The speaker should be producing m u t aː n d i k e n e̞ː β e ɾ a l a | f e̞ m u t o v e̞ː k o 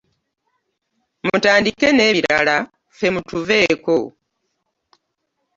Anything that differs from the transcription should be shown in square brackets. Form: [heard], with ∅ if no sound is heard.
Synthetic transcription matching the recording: m u t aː n d i k e n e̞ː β [i] ɾ a l a | f e̞ m u t [u] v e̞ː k o